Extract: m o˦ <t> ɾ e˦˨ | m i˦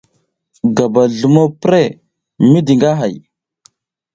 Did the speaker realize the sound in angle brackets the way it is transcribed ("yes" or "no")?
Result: no